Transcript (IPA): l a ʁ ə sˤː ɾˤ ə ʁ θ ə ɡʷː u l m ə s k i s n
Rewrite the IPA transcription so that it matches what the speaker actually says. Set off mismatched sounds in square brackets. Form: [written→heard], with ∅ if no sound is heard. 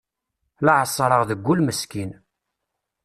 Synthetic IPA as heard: l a [ʁ→ʕ] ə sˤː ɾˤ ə ʁ [θ→ð] ə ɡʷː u l m ə s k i [s→∅] n